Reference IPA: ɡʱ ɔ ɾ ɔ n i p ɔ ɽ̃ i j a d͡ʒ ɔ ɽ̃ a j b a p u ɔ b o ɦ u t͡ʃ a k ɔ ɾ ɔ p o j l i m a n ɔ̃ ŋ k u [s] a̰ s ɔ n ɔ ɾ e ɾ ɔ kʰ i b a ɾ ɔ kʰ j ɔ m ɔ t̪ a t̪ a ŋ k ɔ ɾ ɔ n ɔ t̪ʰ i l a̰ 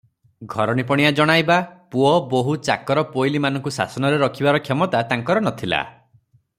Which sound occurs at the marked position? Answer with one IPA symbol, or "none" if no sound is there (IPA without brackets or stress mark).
s